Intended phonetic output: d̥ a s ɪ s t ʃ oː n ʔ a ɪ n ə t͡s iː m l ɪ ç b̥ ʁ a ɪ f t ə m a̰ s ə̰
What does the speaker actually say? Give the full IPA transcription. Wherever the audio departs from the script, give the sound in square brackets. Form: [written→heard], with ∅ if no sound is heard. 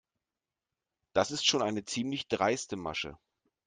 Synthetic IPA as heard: d̥ a s ɪ s t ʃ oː n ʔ a ɪ n ə t͡s iː m l ɪ ç [b̥→d̥] ʁ a ɪ [f→s] t ə m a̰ [s→ʃ] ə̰